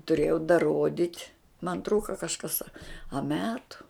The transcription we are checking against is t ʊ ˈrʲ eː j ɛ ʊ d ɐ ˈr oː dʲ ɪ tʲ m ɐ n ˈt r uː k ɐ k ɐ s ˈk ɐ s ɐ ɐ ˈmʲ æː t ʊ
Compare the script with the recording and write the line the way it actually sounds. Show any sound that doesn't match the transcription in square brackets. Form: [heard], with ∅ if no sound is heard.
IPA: t ʊ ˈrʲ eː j ɛ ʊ d ɐ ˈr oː dʲ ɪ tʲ m ɐ n ˈt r uː k ɐ k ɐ [ʃ] ˈk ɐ s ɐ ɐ ˈmʲ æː t ʊ